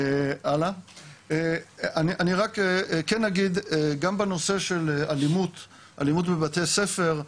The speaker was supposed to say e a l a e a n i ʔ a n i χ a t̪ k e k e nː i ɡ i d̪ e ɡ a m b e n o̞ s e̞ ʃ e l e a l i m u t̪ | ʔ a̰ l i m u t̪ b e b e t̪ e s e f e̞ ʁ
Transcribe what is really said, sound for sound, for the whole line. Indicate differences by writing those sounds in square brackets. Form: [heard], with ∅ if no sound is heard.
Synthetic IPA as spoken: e a l a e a n i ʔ a n i [ʁ] a [∅] k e k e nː [a] ɡ i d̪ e ɡ a m b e n o̞ s e̞ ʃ e l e a l i m u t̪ | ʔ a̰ l i m u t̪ b e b [a] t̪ e s e f e̞ ʁ